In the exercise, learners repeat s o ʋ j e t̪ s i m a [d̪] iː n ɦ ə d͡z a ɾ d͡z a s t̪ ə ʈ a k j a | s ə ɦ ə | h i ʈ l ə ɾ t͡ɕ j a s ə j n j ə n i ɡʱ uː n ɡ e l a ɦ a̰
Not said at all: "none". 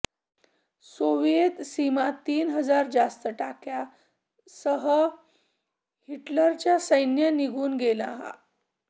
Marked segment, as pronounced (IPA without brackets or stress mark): t̪